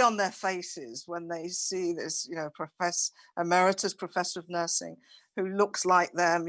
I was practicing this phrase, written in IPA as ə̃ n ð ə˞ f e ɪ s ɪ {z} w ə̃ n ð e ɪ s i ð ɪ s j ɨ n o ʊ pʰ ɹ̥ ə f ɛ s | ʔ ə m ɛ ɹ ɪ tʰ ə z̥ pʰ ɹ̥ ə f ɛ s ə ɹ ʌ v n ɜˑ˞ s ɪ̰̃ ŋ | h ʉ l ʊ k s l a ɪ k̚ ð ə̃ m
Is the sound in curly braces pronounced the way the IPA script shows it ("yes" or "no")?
yes